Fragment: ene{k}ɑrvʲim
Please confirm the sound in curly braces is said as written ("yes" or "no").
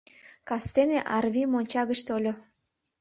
no